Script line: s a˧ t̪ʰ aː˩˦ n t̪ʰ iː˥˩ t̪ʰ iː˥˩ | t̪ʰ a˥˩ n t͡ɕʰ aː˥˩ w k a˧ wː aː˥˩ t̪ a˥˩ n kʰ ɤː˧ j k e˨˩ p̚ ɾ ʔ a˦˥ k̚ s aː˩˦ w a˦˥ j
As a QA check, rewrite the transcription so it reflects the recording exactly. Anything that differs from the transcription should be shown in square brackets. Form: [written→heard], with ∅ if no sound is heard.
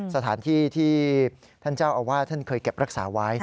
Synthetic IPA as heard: s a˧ t̪ʰ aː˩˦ n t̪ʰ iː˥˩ t̪ʰ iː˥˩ | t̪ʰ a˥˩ n [t͡ɕʰ→t͡ɕ] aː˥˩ w [k→ʔ] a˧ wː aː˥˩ [t̪→t̪ʰ] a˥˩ n kʰ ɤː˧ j k e˨˩ p̚ ɾ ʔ a˦˥ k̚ s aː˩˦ w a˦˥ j